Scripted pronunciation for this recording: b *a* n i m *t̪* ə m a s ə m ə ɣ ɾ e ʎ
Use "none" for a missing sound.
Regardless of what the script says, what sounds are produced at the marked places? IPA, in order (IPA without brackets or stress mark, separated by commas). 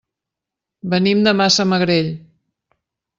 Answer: ə, d̪